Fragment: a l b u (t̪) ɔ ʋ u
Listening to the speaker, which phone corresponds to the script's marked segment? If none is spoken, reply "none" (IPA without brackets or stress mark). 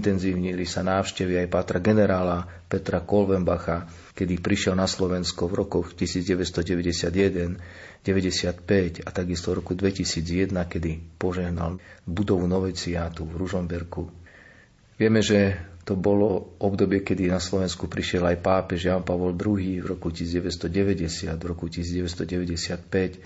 d̪